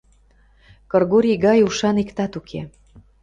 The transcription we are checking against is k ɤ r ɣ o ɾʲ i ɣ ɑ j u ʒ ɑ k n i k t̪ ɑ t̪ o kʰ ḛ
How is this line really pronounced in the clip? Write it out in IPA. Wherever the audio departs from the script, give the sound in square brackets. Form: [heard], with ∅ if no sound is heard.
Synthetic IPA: k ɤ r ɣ o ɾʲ i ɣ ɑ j u [ʃ] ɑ [∅] n i k t̪ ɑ t̪ [u] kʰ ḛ